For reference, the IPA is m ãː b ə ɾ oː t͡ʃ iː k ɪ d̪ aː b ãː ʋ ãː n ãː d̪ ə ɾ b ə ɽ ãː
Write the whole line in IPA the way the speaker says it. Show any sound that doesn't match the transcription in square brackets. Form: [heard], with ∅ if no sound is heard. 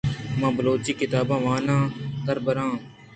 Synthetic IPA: m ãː b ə [l] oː t͡ʃ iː k ɪ [t̪] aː b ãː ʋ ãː n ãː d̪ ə ɾ b ə [ɾ] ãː